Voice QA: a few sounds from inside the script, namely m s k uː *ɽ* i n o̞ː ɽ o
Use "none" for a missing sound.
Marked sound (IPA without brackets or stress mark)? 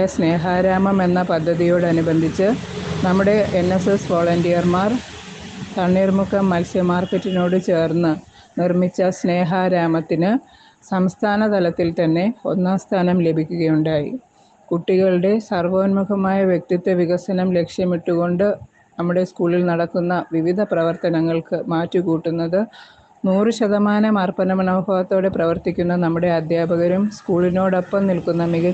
ɭ